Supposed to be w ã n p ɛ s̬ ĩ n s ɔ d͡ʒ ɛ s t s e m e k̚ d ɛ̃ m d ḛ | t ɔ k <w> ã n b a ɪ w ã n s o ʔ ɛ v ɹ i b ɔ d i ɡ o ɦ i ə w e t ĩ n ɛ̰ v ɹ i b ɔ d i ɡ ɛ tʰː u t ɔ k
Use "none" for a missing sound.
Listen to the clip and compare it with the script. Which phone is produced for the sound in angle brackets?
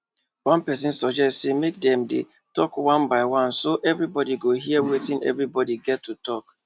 w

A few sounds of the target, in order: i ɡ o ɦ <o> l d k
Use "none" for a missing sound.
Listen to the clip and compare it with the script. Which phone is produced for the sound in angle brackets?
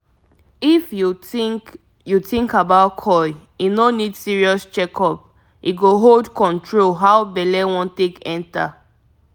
o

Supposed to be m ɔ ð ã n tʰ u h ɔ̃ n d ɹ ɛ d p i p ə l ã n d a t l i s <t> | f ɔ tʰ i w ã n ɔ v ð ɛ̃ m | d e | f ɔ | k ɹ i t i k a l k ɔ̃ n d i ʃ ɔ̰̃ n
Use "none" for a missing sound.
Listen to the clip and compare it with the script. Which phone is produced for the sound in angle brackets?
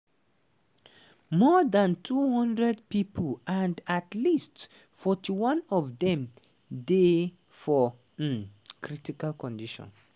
t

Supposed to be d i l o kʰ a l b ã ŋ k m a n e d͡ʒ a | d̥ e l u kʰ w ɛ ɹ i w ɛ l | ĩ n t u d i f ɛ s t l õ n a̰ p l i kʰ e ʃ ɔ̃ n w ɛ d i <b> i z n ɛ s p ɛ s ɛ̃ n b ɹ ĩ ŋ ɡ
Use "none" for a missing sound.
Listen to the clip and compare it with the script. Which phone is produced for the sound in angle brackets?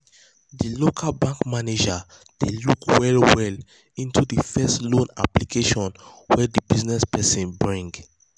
b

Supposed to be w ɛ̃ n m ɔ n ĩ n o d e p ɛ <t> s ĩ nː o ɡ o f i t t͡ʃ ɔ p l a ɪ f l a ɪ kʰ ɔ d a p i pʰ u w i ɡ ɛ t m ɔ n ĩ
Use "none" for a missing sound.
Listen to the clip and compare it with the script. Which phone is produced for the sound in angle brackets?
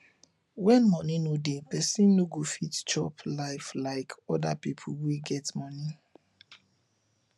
none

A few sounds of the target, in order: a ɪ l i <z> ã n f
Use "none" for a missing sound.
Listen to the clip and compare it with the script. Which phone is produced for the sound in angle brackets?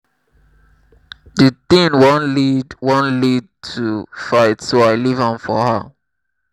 v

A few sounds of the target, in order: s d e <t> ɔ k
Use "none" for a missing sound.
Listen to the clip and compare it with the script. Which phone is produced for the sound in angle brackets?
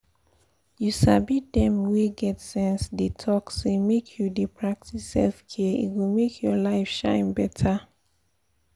tʰ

